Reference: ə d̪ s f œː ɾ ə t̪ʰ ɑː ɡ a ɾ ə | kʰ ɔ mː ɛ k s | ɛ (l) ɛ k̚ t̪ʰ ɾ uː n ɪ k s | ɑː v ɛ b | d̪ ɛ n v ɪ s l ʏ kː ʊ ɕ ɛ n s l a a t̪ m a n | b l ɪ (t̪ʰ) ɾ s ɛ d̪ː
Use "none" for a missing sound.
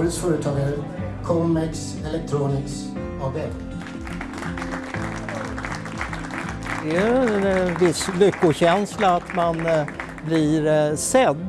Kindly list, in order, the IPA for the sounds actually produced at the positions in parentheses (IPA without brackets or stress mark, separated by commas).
l, none